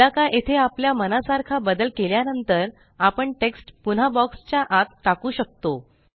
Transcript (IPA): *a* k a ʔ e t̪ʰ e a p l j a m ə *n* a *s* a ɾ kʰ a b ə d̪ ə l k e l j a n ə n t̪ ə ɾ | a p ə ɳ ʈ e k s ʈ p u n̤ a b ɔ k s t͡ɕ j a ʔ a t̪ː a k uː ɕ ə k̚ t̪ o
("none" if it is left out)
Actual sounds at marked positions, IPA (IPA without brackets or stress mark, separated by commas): a, n, s